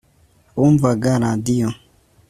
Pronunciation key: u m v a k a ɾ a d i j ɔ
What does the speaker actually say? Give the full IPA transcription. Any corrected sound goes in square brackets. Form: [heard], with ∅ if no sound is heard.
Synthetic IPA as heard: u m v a [ɡ] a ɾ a d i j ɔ